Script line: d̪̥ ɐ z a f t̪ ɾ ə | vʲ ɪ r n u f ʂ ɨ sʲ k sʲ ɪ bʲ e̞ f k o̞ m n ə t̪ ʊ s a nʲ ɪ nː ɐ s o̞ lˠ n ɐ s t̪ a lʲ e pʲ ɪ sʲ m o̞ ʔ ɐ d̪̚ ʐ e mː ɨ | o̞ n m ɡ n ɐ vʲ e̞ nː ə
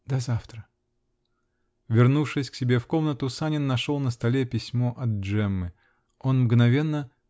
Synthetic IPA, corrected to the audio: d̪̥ ɐ z a f t̪ ɾ ə | vʲ ɪ r n u f ʂ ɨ sʲ k sʲ ɪ bʲ e̞ f k o̞ m n ə t̪ ʊ s a nʲ ɪ nː ɐ ʂ o̞ lˠ n ə s t̪ ɐ lʲ e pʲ ɪ sʲ m o̞ ʔ ɐ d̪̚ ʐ ɛ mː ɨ | o̞ n m ɡ n ɐ vʲ e̞ nː ə